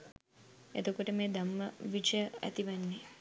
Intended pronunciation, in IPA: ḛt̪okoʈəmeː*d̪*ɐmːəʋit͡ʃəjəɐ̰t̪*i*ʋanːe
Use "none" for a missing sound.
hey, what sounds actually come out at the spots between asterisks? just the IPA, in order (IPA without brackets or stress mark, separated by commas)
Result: d̪, i